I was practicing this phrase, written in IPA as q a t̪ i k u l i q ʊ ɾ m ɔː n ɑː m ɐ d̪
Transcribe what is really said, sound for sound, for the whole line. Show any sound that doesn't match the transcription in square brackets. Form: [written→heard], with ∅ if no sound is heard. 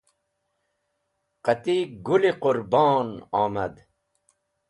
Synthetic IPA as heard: q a t̪ i [k→ɡ] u l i q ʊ ɾ [m→b] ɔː n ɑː m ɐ d̪